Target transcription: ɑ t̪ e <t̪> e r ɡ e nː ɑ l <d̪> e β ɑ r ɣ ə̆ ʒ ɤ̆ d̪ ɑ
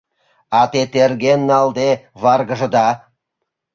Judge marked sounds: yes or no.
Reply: yes, yes

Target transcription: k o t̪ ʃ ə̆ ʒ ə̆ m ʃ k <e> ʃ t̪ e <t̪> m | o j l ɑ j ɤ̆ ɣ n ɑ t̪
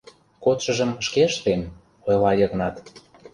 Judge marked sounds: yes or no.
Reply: yes, no

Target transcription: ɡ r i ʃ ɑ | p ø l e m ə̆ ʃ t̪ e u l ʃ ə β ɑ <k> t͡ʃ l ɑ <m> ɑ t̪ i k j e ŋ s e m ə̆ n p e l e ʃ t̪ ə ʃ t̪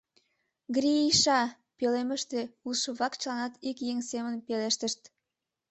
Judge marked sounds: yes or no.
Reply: yes, no

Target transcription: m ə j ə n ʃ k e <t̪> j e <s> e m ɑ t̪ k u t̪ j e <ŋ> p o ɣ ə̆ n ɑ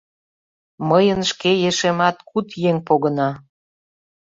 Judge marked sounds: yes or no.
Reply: no, no, yes

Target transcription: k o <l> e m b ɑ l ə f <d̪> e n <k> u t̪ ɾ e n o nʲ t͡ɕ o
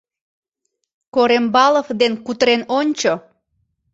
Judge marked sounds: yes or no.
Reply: no, yes, yes

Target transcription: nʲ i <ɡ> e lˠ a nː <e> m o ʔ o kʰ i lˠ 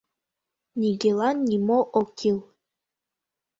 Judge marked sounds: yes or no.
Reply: yes, no

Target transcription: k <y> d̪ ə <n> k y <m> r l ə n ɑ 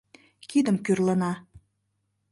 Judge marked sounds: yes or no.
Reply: no, no, no

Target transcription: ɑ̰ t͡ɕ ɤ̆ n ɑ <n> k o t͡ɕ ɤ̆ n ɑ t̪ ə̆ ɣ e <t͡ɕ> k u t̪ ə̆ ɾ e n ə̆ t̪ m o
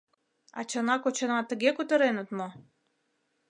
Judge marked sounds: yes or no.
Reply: no, no

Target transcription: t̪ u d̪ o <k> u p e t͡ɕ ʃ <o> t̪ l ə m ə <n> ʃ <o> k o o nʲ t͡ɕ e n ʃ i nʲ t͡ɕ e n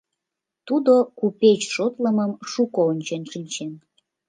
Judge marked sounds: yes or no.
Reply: yes, yes, no, no

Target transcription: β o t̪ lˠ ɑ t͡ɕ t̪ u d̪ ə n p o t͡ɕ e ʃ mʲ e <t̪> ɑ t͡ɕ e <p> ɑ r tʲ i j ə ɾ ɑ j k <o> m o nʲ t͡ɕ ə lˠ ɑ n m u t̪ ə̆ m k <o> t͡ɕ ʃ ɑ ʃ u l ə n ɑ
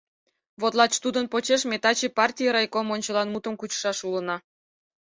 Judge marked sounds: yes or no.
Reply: yes, yes, yes, no

